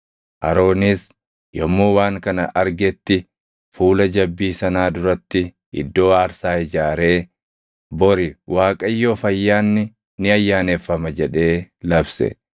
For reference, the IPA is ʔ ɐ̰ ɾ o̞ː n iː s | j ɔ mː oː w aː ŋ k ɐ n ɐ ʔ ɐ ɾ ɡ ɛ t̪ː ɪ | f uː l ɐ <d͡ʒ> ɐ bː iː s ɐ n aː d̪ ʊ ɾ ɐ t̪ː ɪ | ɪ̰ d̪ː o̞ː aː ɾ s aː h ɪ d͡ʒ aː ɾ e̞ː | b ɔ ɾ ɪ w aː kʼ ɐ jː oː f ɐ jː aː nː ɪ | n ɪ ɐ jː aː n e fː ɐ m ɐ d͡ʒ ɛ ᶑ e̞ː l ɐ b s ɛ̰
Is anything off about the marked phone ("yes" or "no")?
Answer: no